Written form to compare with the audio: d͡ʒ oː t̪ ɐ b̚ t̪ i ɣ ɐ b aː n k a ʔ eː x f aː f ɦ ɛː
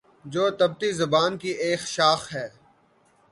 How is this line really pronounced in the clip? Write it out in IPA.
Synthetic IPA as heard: d͡ʒ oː t̪ ɐ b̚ t̪ i z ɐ b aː n k i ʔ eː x ʃ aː x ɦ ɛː